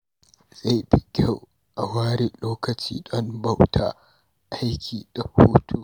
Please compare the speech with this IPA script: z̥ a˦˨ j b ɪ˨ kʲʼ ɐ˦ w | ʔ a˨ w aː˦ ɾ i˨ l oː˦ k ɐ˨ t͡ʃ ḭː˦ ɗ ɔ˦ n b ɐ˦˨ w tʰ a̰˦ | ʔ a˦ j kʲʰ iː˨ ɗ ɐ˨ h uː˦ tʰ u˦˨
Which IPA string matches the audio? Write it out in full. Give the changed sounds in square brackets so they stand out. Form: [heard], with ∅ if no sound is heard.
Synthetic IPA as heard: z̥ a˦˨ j b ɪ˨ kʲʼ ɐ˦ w | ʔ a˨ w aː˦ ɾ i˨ l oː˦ k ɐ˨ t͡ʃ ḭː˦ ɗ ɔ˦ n b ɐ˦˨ w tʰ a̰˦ | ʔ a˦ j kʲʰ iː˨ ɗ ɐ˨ h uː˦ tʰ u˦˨